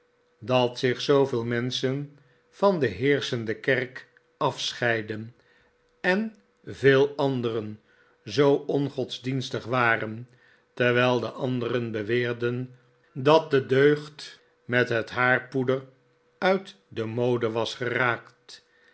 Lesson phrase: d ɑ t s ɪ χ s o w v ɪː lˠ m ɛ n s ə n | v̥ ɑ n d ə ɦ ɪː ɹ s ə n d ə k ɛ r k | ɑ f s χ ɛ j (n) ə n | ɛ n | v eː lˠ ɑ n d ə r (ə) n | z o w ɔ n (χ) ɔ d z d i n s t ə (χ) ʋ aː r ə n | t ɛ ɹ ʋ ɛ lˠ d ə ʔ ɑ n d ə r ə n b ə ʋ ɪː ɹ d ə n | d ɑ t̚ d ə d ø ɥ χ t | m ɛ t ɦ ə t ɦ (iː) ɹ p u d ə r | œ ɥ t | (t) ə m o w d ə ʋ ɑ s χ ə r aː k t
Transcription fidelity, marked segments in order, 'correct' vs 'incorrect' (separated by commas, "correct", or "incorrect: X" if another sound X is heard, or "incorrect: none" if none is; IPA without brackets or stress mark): incorrect: d, correct, correct, correct, incorrect: aː, incorrect: d